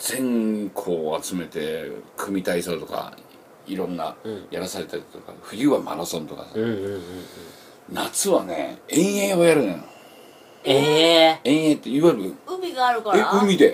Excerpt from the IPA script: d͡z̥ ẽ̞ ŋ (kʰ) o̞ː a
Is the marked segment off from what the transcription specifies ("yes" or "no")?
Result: no